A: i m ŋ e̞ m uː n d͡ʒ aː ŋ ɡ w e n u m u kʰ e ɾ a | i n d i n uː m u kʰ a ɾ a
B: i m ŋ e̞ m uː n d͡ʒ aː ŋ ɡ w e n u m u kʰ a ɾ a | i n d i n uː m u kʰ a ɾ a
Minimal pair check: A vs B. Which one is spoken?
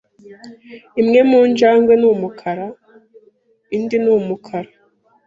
B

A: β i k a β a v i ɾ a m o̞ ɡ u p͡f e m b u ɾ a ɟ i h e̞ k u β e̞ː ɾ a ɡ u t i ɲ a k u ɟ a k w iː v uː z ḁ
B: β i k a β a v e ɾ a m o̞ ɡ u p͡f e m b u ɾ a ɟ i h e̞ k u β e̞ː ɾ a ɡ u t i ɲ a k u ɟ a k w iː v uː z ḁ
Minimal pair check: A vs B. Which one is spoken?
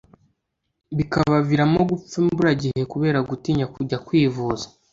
A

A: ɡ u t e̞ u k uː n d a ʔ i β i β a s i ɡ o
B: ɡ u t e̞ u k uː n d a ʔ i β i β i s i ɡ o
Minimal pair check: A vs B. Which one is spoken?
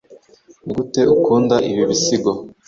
B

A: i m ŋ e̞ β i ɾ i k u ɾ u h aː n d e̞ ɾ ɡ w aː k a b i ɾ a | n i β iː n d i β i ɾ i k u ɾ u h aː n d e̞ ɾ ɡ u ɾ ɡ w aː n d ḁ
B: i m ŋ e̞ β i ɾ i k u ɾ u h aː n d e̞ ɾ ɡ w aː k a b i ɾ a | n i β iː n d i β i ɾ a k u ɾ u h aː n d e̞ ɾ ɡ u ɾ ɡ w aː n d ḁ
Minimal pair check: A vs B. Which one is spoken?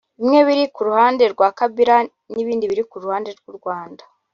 A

